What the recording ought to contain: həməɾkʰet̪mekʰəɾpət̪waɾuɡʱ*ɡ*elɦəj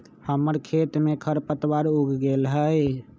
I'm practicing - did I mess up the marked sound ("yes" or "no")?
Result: no